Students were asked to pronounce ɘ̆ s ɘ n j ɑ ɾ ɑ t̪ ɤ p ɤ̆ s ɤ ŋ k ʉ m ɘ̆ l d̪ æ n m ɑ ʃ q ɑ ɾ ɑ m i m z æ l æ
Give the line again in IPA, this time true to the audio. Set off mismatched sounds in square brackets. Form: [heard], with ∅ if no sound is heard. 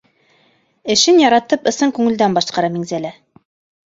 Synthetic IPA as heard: ɘ̆ [ʃ] ɘ n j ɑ ɾ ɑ t̪ ɤ p ɤ̆ s ɤ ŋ k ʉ [ŋ] ɘ̆ l d̪ æ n [b] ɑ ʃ q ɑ ɾ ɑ m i [ŋ] z æ l æ